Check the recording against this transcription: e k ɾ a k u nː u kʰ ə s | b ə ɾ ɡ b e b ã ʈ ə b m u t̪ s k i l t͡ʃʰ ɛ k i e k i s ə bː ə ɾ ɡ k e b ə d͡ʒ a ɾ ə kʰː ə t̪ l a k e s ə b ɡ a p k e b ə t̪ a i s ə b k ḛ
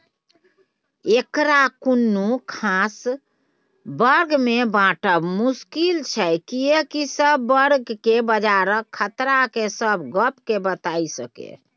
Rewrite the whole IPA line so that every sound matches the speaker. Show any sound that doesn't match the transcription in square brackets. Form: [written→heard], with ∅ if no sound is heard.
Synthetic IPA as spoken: e k ɾ a k u nː u kʰ [ə→a] s | b ə ɾ ɡ [b→m] e b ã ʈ ə b m u [t̪→∅] s k i l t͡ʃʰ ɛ k i e k i s ə bː ə ɾ ɡ k e b ə d͡ʒ a ɾ ə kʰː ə t̪ [l→ɾ] a k e s ə b ɡ [a→ə] p k e b ə t̪ a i s ə [b→∅] k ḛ